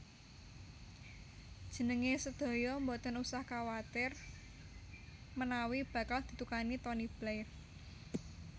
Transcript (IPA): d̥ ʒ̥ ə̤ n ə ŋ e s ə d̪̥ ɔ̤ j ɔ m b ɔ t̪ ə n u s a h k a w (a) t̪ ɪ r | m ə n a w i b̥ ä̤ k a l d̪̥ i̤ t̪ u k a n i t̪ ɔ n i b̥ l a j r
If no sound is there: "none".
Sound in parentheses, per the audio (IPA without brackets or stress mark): a